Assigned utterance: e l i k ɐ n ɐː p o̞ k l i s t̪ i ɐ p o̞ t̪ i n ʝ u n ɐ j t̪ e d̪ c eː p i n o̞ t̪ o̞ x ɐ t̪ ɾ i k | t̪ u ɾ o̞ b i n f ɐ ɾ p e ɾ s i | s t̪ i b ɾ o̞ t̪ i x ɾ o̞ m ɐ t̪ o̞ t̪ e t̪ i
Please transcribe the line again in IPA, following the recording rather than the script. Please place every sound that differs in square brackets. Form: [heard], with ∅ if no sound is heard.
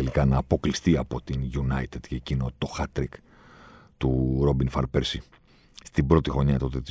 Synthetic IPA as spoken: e l i k ɐ n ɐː p o̞ k l i s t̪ i ɐ p o̞ t̪ i n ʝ u n ɐ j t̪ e d̪ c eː [c] i n o̞ t̪ o̞ x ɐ t̪ ɾ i k | t̪ u ɾ o̞ b i n f ɐ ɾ p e ɾ s i | s t̪ i b ɾ o̞ t̪ i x ɾ o̞ [ɲ] ɐ t̪ o̞ t̪ e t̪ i